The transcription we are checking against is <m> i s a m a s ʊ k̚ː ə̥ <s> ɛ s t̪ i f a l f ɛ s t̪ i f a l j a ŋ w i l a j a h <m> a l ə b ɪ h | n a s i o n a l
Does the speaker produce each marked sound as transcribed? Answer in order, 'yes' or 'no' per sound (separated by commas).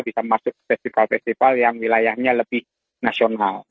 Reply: no, no, no